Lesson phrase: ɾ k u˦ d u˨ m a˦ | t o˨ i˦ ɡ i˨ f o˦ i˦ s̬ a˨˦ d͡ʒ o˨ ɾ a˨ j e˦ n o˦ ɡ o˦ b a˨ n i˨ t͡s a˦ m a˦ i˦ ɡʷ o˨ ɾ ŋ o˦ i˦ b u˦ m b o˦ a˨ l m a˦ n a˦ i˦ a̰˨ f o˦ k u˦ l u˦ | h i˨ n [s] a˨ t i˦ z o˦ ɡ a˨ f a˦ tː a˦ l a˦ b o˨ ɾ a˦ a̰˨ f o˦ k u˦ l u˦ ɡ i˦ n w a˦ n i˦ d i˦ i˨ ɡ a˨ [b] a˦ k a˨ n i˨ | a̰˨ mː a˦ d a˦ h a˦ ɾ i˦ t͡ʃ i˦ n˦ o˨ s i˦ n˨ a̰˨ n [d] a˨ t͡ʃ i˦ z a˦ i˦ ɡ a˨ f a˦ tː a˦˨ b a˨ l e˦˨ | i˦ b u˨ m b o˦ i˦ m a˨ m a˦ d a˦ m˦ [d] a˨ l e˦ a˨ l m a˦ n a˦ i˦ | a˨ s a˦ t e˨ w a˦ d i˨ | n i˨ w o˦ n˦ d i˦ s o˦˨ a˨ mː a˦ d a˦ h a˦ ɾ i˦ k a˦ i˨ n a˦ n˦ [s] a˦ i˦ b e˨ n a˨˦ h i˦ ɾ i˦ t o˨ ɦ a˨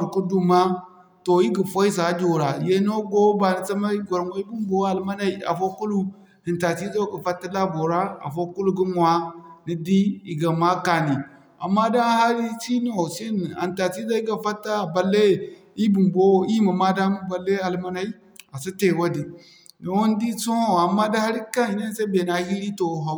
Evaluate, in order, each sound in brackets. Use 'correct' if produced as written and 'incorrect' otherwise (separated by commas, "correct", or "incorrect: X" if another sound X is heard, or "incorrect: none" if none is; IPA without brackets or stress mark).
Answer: incorrect: t, incorrect: m, incorrect: t, incorrect: b, correct